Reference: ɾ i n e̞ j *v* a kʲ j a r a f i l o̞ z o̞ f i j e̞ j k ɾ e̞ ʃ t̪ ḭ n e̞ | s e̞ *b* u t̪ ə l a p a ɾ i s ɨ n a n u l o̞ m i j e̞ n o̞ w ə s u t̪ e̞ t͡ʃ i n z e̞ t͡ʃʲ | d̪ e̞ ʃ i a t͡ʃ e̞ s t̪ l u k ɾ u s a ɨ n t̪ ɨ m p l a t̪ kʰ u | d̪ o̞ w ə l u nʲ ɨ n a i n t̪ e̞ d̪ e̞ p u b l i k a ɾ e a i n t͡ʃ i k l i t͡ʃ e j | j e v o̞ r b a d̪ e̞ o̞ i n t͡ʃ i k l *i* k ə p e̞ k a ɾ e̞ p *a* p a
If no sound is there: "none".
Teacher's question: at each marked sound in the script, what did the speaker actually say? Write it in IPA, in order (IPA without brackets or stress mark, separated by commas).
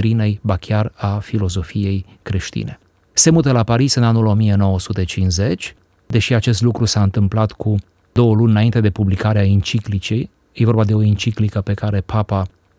b, m, i, a